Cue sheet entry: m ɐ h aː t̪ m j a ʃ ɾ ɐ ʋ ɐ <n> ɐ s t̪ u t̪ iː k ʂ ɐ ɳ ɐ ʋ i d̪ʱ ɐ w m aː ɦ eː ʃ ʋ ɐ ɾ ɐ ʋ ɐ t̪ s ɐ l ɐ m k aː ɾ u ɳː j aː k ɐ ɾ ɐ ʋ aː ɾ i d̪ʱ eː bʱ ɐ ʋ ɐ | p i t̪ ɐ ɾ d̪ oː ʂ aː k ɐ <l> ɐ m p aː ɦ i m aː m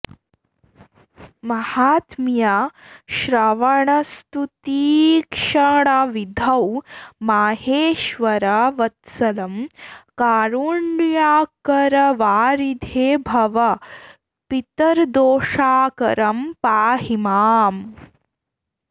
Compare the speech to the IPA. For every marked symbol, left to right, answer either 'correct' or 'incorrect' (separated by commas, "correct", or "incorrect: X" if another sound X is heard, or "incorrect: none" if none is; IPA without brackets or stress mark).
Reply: incorrect: ɳ, incorrect: ɾ